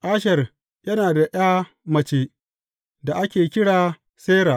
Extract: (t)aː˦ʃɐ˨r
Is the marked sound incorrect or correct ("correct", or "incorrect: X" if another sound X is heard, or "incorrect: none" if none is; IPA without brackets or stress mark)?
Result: incorrect: ʔ